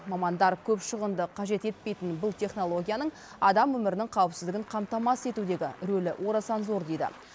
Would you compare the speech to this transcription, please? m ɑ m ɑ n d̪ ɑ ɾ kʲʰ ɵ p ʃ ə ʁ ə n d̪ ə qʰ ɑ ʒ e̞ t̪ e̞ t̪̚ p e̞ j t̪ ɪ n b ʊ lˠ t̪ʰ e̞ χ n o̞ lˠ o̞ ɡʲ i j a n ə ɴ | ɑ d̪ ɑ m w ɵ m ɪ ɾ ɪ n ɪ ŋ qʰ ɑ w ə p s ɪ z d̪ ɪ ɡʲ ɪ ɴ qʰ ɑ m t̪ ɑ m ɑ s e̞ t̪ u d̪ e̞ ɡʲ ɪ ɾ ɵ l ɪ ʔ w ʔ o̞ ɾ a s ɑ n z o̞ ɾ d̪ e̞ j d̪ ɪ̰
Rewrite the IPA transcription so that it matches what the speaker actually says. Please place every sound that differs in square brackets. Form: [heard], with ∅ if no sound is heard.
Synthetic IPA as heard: m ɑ m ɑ n d̪ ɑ ɾ kʲʰ ɵ p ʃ ə ʁ ə n d̪ ə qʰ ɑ ʒ e̞ t̪ e̞ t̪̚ p e̞ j t̪ ɪ n b ʊ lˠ t̪ʰ e̞ χ n o̞ lˠ o̞ ɡʲ i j a n ə ɴ | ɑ d̪ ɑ m w ɵ m ɪ ɾ ɪ n ɪ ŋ qʰ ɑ w ə p s ɪ z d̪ ɪ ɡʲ ɪ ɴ qʰ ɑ m t̪ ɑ m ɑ s e̞ t̪ u d̪ e̞ ɡʲ ɪ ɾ ɵ l ɪ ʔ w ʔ o̞ ɾ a s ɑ n z o̞ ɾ d̪ e̞ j d̪ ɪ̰